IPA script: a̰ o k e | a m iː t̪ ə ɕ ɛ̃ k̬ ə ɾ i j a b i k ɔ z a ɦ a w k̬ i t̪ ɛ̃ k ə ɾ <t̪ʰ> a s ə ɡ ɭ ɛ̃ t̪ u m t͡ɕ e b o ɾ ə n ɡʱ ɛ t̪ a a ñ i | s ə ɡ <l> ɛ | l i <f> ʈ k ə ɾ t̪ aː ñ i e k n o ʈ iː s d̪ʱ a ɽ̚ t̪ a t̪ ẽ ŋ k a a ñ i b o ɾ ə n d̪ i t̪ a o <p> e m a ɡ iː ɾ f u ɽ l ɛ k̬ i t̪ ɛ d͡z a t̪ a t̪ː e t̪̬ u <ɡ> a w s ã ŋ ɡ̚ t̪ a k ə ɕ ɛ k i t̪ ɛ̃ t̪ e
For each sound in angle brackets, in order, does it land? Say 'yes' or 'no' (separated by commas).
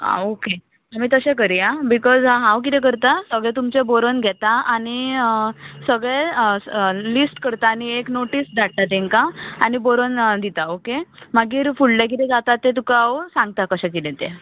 no, no, no, no, no